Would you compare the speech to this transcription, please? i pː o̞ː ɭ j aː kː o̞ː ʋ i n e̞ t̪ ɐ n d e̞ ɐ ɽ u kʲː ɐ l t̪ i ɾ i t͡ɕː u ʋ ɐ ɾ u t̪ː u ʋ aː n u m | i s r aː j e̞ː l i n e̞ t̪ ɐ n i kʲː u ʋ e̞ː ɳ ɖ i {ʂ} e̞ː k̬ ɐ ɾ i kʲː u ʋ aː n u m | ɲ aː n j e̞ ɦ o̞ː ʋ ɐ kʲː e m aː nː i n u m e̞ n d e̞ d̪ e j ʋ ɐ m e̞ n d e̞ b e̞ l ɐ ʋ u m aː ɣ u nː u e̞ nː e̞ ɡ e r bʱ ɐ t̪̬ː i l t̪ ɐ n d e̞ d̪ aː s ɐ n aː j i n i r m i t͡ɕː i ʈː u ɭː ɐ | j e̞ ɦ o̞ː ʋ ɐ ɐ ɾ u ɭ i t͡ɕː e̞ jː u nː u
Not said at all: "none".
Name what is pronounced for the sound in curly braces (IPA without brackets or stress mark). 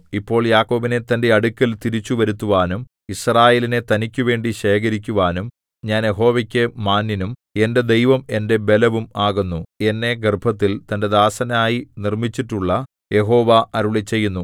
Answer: ɕ